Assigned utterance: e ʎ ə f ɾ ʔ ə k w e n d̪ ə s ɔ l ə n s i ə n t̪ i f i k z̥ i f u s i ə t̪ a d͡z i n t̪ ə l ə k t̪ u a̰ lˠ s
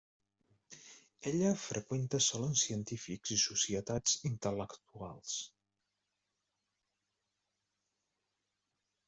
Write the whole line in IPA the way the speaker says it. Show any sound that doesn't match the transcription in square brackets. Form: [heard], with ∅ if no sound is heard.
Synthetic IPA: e ʎ ə f ɾ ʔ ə k w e n [t̪] ə s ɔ l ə n s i ə n t̪ i f i k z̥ i [s] u s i ə t̪ a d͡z i n t̪ ə l ə k t̪ u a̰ lˠ s